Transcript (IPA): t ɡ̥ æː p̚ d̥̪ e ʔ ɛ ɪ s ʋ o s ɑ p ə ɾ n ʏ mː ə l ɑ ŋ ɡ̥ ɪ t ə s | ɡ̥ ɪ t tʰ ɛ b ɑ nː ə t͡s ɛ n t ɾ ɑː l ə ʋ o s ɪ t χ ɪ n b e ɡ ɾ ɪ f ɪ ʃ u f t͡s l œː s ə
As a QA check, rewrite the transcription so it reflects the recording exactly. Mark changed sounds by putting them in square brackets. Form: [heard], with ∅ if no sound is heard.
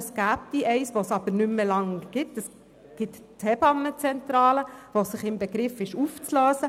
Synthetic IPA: [s] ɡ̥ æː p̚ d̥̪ [i] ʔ ɛ ɪ s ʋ o s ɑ [b] ə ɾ n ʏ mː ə l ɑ ŋ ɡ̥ ɪ t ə s | ɡ̥ ɪ t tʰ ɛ b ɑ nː ə t͡s ɛ n t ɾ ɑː l ə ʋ o s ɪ [∅] χ ɪ [m] b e ɡ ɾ ɪ f ɪ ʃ u f t͡s l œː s ə

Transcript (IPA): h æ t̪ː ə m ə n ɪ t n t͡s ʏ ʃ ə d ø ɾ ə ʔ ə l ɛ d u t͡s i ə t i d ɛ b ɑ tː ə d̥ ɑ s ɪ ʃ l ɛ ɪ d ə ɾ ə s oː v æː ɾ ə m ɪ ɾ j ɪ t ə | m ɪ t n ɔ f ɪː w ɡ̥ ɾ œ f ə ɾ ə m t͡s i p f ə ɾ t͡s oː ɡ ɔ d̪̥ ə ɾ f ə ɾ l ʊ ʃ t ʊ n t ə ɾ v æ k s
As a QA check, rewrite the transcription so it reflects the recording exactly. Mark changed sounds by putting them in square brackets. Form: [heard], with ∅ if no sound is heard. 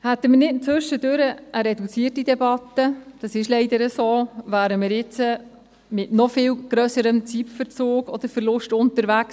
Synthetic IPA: h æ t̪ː ə m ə n ɪ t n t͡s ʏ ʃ ə d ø ɾ ə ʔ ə [ɾ] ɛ d u t͡s i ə t i d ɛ b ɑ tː ə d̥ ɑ s ɪ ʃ l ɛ ɪ d ə ɾ ə s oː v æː ɾ ə m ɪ ɾ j ɪ [t͡s] ə | m ɪ t n ɔ f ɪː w ɡ̥ ɾ œ [s] ə ɾ ə m t͡s i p f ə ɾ t͡s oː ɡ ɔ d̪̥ ə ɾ f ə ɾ l ʊ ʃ t ʊ n t ə ɾ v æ k s

